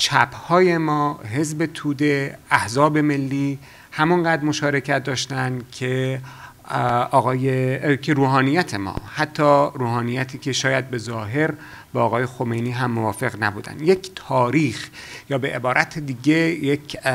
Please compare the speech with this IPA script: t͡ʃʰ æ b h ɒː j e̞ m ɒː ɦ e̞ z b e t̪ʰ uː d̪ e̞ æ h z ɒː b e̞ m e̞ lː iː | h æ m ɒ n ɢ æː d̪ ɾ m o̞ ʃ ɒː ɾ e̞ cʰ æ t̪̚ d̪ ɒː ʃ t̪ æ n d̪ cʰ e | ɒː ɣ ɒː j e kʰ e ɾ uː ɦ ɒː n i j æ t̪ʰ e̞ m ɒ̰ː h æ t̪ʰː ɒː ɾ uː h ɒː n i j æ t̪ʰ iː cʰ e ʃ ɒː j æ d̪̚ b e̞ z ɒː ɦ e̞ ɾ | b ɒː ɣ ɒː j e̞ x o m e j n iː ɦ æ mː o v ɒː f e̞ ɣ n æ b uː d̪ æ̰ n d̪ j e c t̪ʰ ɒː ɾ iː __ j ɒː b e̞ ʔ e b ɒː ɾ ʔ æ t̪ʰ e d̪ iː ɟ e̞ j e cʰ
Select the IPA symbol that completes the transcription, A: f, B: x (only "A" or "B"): B